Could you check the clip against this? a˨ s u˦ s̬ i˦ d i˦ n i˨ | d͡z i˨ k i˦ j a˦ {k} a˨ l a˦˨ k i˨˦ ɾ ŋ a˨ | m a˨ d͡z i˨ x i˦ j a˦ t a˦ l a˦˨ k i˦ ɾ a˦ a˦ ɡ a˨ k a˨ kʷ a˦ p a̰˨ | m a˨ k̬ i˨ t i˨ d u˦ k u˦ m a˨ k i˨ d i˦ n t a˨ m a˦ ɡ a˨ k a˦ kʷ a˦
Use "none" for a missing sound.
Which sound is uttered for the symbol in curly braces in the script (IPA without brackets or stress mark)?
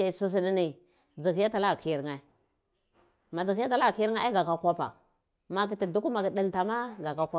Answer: t